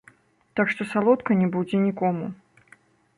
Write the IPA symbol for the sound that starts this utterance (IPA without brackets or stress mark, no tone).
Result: t̪